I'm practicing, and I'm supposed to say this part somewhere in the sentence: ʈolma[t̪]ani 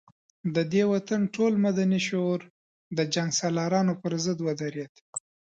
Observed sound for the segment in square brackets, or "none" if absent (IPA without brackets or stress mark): d̪